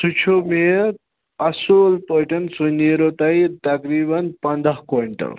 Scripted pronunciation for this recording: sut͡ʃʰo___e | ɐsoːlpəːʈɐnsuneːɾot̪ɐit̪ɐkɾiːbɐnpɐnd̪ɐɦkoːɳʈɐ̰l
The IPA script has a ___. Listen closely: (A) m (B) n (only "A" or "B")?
A